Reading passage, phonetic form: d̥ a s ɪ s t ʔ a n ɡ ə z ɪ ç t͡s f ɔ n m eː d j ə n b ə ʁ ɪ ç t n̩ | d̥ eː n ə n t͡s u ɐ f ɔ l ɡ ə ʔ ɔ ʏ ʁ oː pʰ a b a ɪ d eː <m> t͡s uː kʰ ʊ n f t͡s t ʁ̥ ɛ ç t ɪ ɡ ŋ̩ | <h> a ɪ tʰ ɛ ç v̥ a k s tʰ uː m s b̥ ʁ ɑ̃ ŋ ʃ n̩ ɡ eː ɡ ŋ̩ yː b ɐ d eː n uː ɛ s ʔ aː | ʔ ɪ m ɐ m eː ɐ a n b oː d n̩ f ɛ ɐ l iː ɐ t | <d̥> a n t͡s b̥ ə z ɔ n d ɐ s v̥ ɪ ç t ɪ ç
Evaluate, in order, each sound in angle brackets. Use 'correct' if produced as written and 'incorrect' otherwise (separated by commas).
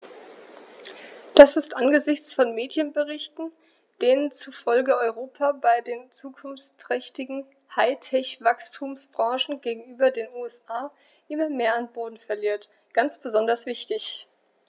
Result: incorrect, correct, incorrect